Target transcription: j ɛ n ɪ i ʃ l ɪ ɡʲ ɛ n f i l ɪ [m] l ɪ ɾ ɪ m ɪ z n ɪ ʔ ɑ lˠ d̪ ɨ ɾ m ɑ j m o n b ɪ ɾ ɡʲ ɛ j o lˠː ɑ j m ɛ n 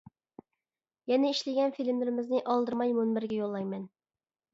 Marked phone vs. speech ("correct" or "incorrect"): correct